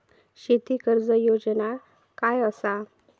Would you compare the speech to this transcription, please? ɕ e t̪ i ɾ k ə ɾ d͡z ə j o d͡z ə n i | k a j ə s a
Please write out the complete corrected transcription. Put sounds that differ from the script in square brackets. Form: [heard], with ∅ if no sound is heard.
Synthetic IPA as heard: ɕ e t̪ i [∅] k ə ɾ d͡z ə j o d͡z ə n [a] | k a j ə s a